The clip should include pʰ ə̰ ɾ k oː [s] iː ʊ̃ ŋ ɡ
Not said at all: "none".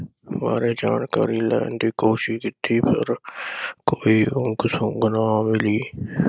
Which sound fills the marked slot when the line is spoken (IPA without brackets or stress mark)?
none